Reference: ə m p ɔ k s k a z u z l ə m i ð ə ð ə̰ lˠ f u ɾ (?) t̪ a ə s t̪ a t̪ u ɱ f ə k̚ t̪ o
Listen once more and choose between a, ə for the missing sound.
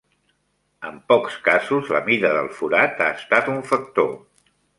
a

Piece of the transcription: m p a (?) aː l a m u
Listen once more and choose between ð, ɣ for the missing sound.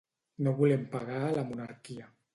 ɣ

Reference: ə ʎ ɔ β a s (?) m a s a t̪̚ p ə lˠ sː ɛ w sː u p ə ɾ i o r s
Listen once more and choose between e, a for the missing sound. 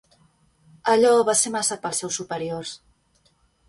e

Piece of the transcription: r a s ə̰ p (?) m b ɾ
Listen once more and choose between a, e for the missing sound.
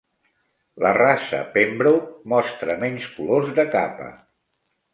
e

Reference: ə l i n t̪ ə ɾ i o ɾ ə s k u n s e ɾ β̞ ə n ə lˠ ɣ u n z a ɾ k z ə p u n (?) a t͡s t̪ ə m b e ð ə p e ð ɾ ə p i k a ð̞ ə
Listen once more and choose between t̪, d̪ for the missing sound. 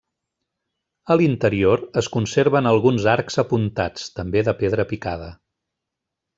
t̪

